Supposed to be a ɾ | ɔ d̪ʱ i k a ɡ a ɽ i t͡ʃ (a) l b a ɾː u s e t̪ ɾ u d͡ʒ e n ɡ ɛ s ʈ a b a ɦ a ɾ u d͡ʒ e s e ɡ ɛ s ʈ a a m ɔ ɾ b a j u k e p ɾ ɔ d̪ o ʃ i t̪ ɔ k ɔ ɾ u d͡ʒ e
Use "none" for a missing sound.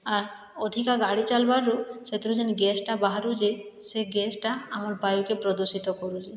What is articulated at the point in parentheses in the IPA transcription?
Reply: a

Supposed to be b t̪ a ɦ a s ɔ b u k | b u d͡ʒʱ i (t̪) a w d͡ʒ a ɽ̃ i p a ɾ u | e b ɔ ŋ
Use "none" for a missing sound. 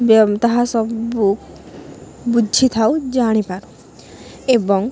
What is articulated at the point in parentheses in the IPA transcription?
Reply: t̪ʰ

